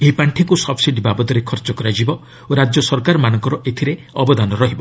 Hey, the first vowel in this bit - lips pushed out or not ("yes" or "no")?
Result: no